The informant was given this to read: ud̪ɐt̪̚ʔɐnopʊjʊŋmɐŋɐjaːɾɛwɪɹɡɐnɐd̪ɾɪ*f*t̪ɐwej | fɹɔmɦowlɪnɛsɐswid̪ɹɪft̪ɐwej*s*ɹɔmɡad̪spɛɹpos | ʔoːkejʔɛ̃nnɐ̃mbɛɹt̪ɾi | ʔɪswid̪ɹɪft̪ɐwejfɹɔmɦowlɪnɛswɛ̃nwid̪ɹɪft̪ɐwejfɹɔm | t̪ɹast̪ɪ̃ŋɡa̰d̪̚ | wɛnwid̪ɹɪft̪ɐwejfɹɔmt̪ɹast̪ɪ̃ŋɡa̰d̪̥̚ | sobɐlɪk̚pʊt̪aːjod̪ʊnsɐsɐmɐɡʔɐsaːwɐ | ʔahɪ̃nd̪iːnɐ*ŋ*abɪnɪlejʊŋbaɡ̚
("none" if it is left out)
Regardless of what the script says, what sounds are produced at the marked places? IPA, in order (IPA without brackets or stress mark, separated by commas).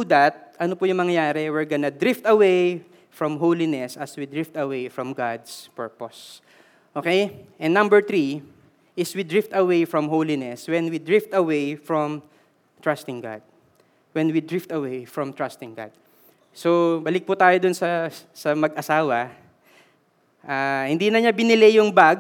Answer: f, f, ɲ